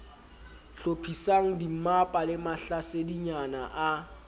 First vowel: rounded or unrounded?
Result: rounded